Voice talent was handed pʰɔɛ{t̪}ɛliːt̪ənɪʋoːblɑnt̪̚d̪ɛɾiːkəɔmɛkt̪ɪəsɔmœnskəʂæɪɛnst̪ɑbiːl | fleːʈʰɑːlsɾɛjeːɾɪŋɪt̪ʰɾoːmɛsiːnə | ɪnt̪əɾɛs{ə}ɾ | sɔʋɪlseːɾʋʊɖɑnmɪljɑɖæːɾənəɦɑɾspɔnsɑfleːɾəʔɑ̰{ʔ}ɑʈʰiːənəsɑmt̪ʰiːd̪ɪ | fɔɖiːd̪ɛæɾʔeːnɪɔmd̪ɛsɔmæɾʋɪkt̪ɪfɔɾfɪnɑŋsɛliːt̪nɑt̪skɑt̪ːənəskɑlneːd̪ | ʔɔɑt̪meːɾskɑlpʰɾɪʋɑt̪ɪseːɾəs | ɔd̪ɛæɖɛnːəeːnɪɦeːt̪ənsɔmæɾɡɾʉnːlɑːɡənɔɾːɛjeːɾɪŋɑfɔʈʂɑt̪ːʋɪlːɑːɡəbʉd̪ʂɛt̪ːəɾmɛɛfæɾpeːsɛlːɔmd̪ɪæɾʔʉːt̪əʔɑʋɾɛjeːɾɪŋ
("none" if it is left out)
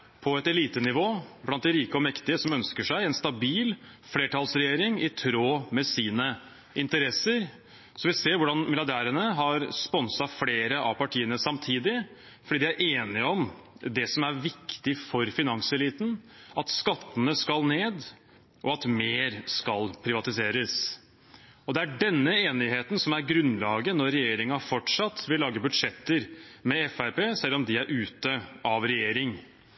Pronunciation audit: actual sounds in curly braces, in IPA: t̪, ə, p

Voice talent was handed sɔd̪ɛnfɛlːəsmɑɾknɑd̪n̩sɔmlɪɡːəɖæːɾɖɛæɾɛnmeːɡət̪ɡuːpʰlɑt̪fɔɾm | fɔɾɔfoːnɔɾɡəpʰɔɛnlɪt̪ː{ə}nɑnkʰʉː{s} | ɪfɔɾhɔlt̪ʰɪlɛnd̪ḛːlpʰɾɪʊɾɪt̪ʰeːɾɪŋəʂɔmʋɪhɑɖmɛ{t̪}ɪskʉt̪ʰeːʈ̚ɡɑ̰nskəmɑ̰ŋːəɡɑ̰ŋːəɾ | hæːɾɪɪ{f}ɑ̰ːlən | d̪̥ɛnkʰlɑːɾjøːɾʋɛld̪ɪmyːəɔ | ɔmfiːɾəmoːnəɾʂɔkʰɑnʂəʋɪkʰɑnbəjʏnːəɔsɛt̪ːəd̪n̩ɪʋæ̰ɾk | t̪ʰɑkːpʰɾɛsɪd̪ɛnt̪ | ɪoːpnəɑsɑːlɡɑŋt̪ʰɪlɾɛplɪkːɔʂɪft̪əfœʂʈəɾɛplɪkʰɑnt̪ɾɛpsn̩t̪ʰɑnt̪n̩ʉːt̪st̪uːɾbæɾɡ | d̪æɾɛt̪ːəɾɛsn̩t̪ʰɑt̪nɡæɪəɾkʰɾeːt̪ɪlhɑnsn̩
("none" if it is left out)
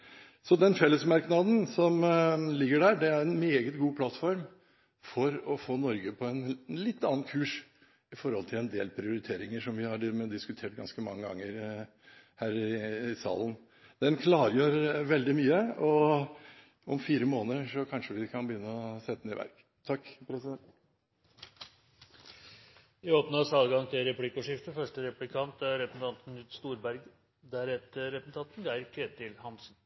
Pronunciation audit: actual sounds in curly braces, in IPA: ɑ, ʂ, d̪, s

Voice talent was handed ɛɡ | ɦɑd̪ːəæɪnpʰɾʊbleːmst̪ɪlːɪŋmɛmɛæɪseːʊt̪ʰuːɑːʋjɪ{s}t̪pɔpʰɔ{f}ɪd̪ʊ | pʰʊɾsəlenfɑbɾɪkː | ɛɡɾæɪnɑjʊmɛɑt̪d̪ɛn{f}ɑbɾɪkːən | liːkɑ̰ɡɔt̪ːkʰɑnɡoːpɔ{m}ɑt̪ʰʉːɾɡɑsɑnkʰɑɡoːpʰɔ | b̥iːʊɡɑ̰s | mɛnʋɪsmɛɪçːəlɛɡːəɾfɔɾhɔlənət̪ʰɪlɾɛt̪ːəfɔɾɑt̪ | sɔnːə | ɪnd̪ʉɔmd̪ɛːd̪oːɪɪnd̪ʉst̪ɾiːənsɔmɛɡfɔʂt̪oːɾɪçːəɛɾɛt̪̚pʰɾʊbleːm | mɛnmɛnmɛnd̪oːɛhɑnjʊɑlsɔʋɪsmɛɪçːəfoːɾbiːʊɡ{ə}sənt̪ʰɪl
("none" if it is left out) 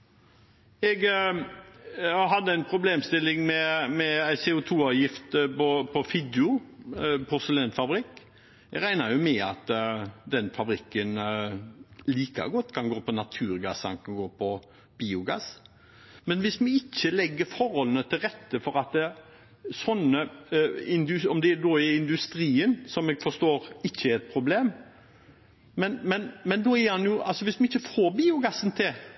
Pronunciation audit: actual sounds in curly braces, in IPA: f, f, f, n, ɑ

